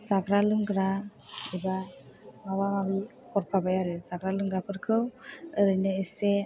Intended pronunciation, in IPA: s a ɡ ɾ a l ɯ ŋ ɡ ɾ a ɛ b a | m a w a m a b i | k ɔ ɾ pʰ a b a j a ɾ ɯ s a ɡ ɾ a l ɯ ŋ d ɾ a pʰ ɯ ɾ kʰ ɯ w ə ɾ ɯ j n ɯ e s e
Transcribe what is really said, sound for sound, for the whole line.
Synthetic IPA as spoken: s a ɡ ɾ a l ɯ ŋ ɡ ɾ a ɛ b a | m a w a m a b i | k ɔ ɾ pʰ a b a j a ɾ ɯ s a ɡ ɾ a l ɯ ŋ ɡ ɾ a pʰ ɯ ɾ kʰ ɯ w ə ɾ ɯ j n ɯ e s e